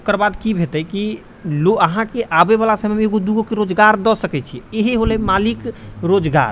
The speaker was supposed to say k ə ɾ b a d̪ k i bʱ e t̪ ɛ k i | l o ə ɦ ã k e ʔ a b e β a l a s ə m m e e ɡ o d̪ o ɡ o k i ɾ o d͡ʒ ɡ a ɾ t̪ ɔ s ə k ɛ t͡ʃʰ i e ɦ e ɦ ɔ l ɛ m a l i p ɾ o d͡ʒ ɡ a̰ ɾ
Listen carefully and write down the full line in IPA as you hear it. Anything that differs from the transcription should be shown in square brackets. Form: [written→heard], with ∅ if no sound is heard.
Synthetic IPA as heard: k ə ɾ b a d̪ k i bʱ e t̪ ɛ k i | l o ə ɦ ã k e ʔ a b e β a l a s ə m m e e ɡ o d̪ [o→u] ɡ o k [i→e] ɾ o d͡ʒ ɡ a ɾ [t̪→d̪] ɔ s ə k ɛ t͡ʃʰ i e ɦ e ɦ [ɔ→o] l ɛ m a l i [p→k] ɾ o d͡ʒ ɡ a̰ ɾ